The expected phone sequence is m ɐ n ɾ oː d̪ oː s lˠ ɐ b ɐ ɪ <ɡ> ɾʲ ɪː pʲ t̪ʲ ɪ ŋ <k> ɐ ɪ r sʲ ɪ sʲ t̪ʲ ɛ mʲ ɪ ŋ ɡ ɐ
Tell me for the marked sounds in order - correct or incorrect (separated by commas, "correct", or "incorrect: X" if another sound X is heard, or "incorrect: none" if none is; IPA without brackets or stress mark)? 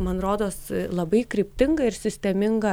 incorrect: k, incorrect: ɡ